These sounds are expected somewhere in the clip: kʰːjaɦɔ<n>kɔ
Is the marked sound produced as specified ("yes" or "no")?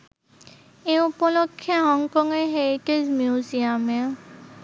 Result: no